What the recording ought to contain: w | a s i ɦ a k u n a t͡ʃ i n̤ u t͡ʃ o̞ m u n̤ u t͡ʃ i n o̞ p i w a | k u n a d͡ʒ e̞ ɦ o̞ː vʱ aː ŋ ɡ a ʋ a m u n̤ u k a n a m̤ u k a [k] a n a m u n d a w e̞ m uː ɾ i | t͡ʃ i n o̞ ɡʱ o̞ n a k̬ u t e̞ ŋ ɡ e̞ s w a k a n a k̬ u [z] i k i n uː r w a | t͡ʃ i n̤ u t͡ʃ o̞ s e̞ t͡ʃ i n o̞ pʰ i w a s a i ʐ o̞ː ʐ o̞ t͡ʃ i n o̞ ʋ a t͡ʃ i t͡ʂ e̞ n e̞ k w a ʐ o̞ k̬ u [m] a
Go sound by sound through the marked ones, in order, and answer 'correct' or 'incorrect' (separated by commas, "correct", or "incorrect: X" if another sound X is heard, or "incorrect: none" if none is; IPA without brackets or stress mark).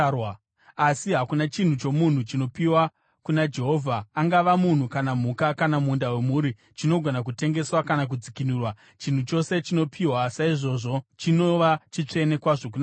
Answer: correct, incorrect: d͡z, incorrect: n